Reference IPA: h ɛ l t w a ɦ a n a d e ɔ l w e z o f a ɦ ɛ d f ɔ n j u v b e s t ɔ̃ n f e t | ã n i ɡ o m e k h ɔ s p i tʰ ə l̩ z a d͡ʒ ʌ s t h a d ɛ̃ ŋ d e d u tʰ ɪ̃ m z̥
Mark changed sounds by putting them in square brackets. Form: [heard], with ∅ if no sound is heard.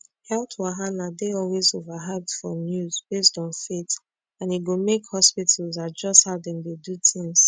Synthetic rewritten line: h ɛ l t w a ɦ a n a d e ɔ l w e z o [v] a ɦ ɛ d f ɔ n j u [z] b e s t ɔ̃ n f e t | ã n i ɡ o m e k h ɔ s p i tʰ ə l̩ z a d͡ʒ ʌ s t h a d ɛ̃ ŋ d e d u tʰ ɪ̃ [ŋ] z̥